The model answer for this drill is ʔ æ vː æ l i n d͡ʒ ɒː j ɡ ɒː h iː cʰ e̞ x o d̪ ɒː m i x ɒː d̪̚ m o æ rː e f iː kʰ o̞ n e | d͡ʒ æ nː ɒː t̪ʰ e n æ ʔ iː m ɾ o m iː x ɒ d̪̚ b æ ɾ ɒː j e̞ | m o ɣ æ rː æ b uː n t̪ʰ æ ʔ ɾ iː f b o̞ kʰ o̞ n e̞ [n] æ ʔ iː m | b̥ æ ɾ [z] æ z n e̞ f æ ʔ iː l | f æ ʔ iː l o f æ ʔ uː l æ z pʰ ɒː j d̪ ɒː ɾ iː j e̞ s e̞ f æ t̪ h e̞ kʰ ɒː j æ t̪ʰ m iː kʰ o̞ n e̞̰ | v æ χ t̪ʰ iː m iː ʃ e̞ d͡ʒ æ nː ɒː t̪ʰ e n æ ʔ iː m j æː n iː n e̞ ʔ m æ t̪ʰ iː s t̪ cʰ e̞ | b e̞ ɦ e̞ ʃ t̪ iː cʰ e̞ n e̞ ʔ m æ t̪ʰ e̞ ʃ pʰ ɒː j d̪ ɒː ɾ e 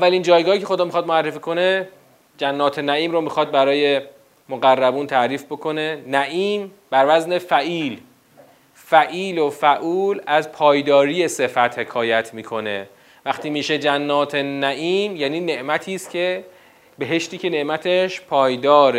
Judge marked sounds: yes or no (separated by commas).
yes, no